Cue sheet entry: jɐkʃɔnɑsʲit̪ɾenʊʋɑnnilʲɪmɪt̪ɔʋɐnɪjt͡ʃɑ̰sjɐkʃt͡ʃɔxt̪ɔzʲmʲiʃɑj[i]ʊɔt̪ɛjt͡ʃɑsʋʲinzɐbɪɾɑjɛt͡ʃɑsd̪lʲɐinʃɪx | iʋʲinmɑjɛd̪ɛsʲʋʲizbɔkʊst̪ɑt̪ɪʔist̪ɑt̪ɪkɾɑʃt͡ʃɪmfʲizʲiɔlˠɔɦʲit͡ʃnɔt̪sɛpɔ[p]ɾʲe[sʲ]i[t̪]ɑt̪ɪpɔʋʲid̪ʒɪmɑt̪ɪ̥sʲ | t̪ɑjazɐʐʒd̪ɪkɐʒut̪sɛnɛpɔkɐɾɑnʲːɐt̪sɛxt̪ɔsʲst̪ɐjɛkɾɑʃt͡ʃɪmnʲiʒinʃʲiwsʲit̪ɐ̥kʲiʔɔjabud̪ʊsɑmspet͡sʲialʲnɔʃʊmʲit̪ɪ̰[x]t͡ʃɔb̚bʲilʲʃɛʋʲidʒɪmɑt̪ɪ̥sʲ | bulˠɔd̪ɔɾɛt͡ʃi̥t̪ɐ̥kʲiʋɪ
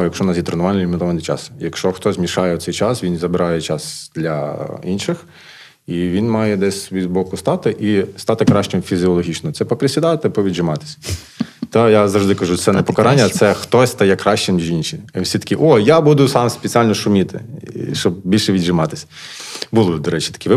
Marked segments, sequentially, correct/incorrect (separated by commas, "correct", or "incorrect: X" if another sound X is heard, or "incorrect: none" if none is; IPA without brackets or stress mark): incorrect: ɛ, correct, correct, incorrect: d̪, incorrect: ʃ